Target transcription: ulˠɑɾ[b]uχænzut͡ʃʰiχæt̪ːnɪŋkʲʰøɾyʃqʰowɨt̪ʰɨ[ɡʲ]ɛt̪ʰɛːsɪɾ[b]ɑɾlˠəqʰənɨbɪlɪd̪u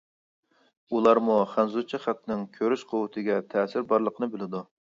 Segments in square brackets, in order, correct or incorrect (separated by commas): incorrect, correct, correct